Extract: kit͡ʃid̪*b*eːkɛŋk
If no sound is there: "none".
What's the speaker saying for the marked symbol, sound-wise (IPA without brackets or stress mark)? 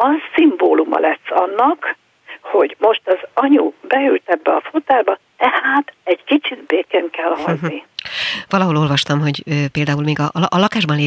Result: b